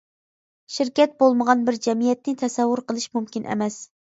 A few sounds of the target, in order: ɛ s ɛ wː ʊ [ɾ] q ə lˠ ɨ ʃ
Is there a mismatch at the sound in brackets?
no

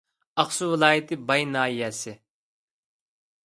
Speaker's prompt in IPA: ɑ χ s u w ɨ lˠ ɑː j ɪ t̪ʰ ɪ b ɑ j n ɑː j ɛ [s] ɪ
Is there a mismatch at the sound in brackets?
no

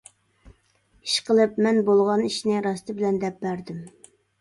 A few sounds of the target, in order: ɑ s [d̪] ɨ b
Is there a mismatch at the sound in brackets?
yes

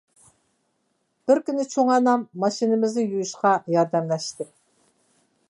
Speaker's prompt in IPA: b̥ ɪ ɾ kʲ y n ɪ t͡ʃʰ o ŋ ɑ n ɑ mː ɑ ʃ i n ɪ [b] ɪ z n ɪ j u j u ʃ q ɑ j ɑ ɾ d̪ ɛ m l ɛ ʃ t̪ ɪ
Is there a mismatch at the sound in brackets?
yes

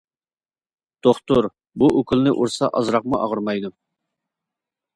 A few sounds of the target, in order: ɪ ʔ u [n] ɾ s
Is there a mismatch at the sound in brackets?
yes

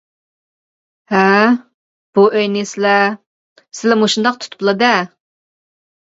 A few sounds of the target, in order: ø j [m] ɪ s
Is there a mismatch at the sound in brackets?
yes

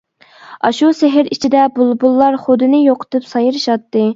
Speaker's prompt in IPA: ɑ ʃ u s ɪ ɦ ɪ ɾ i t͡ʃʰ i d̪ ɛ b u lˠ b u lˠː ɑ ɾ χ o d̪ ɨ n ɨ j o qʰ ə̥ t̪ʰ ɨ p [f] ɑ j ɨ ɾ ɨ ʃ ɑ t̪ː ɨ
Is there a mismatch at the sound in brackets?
yes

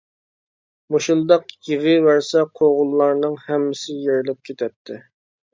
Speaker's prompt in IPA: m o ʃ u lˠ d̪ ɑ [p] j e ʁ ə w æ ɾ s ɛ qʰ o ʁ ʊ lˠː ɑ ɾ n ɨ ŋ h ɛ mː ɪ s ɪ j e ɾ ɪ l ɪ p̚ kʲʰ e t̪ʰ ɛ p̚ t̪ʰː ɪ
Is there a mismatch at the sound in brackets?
yes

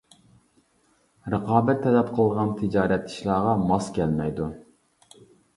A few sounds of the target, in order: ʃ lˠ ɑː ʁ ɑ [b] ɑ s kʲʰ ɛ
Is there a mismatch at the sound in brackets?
yes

